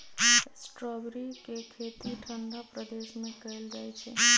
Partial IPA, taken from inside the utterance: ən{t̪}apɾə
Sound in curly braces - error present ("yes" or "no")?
yes